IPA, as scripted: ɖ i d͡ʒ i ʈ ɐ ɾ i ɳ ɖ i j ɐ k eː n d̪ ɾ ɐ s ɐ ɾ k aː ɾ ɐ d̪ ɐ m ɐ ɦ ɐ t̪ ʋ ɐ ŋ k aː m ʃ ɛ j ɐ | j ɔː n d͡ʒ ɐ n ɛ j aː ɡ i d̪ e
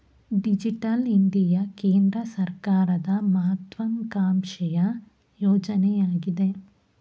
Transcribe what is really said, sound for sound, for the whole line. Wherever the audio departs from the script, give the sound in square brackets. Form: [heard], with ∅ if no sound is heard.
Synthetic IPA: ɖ i d͡ʒ i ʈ ɐ [l] i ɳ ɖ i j ɐ k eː n d̪ ɾ ɐ s ɐ ɾ k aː ɾ ɐ d̪ ɐ m ɐ ɦ ɐ t̪ ʋ ɐ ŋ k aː m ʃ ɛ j ɐ | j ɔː [∅] d͡ʒ ɐ n ɛ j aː ɡ i d̪ e